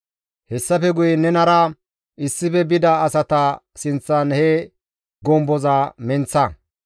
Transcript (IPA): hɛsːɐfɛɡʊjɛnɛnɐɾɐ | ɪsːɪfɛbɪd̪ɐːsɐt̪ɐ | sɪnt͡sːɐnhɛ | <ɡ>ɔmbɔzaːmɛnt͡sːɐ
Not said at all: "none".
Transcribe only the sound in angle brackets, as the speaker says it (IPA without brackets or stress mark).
ɡ